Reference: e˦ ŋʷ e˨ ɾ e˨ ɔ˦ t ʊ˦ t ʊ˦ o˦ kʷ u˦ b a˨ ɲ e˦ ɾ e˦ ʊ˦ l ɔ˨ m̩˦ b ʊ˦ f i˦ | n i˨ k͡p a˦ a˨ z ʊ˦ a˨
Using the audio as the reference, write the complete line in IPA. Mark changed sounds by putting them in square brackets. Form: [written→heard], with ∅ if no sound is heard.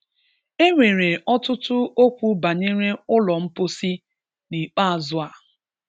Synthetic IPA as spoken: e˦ ŋʷ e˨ ɾ e˨ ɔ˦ t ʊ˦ t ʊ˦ o˦ kʷ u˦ b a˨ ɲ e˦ ɾ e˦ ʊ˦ l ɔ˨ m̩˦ [b→p] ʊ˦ [f→s] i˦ | n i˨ k͡p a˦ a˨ z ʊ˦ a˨